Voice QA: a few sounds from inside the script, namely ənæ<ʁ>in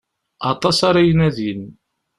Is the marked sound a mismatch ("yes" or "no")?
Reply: yes